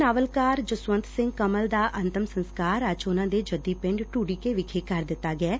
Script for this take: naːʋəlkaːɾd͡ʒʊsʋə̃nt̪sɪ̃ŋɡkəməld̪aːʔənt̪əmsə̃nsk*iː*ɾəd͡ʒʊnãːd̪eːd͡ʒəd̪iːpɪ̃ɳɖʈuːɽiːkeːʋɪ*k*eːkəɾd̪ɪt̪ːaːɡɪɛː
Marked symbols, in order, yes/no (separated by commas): no, no